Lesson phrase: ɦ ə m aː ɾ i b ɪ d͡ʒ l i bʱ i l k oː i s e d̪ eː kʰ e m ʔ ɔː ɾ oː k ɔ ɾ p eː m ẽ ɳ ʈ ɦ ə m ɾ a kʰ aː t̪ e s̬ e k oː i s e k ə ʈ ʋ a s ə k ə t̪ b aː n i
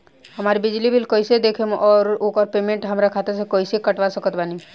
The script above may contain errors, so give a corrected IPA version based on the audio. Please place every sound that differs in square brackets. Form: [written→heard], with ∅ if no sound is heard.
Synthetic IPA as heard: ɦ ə m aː ɾ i b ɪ d͡ʒ l i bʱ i l k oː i s e d̪ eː kʰ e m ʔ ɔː ɾ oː k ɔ ɾ p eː m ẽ ɳ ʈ ɦ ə m ɾ a kʰ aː t̪ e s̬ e k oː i s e k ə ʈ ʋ a s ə k ə t̪ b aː n i